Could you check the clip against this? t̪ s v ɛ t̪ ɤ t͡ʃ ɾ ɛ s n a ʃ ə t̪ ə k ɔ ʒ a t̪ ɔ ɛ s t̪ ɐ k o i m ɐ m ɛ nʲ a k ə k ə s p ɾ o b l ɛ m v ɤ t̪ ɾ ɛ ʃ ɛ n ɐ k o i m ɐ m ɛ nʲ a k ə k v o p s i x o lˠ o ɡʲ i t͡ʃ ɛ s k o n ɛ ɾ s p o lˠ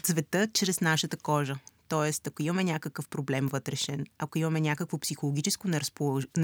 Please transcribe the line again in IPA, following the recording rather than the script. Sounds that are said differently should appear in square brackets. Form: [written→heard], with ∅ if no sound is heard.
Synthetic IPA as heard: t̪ s v ɛ t̪ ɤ t͡ʃ ɾ ɛ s n a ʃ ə t̪ ə k ɔ ʒ [a→ə] t̪ ɔ ɛ s t̪ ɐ k o i m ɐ m ɛ nʲ a k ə k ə [s→f] p ɾ o b l ɛ m v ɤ t̪ ɾ ɛ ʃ ɛ n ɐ k o i m ɐ m ɛ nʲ a k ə k v o p s i x o lˠ o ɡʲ i t͡ʃ ɛ s k o n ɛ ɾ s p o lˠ